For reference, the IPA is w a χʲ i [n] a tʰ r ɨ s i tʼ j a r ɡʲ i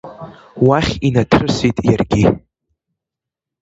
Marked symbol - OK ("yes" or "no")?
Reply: yes